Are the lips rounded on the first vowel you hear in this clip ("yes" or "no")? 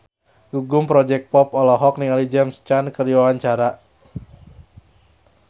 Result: yes